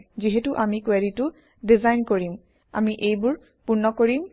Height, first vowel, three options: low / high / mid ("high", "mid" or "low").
high